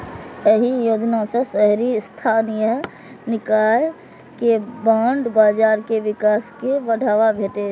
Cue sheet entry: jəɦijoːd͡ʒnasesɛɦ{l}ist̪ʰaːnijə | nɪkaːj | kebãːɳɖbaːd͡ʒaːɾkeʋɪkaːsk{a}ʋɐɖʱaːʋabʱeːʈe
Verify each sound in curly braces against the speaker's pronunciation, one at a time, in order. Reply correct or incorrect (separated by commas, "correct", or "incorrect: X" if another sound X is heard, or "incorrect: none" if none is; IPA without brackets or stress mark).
incorrect: ɾ, incorrect: e